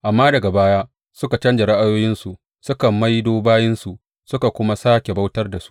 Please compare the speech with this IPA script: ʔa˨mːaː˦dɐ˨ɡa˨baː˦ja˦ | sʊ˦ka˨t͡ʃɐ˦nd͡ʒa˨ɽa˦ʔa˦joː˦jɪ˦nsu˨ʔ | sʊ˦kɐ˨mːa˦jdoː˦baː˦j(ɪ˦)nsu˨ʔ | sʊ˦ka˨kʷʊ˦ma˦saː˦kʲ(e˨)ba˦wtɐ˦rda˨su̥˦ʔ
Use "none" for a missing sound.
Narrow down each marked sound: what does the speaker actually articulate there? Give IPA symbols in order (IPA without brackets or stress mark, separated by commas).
ɪ˦, e˨